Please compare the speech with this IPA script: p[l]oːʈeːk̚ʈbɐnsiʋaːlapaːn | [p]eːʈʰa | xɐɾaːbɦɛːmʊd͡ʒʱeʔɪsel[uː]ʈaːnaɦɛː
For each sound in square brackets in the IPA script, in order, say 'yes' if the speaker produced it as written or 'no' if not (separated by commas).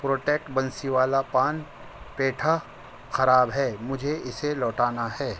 no, yes, no